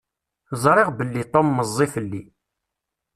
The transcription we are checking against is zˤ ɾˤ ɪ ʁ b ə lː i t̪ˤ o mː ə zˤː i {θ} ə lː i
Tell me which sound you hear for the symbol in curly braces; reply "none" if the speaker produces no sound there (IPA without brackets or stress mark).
f